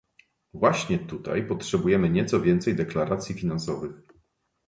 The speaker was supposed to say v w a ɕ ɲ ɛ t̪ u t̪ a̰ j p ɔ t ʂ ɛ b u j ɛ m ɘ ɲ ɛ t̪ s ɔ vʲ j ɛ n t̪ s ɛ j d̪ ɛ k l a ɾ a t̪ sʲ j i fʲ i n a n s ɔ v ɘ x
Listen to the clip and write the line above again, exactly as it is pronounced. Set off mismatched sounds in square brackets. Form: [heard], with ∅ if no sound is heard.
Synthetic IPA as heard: v w a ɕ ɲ ɛ t̪ u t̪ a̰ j p ɔ t ʂ ɛ b u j ɛ m ɘ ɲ ɛ t̪ s ɔ vʲ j ɛ n t̪ s ɛ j d̪ ɛ k l a ɾ a t̪ sʲ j i fʲ i n a n s ɔ v ɘ x